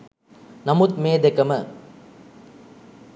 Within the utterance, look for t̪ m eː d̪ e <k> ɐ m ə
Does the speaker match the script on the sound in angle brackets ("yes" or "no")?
yes